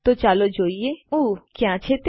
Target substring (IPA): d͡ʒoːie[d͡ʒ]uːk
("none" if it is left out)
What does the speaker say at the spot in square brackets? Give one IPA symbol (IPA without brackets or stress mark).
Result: none